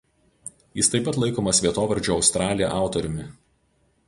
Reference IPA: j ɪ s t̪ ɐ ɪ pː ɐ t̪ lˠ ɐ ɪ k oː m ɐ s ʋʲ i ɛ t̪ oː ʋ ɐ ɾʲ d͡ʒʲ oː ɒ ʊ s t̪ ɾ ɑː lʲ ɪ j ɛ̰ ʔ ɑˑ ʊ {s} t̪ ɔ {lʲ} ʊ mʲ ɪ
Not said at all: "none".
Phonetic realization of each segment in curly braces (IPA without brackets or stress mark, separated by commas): none, ɾʲ